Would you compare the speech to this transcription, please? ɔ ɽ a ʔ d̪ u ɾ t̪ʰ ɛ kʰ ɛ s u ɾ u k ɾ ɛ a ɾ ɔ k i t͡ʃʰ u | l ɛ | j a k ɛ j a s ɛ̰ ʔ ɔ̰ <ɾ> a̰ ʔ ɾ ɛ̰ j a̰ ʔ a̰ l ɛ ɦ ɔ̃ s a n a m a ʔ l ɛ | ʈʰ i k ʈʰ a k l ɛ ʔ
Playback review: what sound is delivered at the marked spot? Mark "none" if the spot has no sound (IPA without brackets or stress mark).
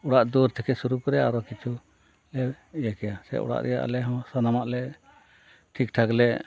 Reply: ɽ